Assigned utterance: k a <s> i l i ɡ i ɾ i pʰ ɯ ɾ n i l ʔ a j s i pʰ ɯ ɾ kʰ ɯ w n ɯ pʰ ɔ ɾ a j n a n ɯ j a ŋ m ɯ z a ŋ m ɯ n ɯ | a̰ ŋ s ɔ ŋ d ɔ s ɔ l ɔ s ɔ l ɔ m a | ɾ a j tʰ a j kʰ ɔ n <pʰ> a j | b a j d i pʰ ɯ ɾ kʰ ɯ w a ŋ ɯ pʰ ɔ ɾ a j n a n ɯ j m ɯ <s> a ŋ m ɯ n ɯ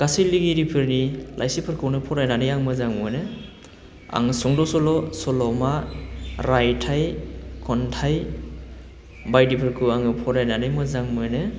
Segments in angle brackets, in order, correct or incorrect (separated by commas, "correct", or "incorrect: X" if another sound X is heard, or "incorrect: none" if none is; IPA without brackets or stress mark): correct, incorrect: tʰ, incorrect: z